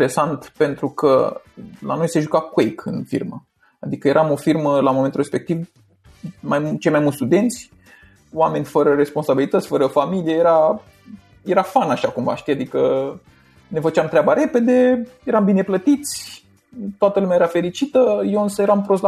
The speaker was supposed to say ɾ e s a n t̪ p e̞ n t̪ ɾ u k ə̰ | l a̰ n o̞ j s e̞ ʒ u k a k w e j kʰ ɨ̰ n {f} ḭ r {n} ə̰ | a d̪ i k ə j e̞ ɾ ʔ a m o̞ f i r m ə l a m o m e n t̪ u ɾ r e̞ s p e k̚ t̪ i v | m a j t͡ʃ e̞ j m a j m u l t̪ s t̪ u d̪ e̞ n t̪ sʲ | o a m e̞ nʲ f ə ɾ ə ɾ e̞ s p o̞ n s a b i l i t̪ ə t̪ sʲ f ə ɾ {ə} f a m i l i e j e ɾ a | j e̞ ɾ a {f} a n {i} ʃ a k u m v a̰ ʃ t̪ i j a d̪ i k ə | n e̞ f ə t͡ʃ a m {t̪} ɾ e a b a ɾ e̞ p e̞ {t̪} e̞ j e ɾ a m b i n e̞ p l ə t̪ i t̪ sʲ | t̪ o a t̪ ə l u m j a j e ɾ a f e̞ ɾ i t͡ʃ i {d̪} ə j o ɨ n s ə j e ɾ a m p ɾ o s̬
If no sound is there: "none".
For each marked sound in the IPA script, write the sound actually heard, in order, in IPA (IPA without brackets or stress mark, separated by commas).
f, m, ə, f, a, t̪, d̪, t̪